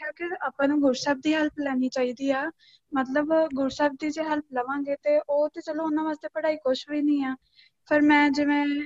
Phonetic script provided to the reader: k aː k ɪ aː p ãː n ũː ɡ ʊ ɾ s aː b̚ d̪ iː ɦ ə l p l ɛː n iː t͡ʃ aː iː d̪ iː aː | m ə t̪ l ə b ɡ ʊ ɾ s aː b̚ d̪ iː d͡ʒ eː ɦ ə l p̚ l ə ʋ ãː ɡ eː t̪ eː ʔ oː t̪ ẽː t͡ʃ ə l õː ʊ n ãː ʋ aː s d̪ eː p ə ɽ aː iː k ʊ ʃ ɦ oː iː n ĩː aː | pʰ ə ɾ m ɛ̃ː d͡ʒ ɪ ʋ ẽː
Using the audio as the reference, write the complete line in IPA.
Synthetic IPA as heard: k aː k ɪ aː p ãː n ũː ɡ ʊ ɾ s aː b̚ d̪ iː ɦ ə l p l ɛː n iː t͡ʃ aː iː d̪ iː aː | m ə t̪ l ə b ɡ ʊ ɾ s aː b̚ d̪ iː d͡ʒ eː ɦ ə l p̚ l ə ʋ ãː ɡ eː t̪ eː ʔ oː t̪ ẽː t͡ʃ ə l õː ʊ n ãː ʋ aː s t̪ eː p ə ɽ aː iː k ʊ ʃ ɦ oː iː n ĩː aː | pʰ ə ɾ m ɛ̃ː d͡ʒ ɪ ʋ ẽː